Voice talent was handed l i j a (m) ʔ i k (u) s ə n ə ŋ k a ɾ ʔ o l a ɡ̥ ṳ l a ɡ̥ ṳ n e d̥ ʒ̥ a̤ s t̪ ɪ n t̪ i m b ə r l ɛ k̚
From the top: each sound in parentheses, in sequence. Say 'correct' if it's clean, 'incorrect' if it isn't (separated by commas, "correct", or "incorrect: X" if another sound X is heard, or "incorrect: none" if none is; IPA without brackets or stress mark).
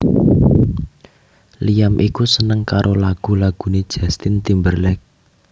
correct, correct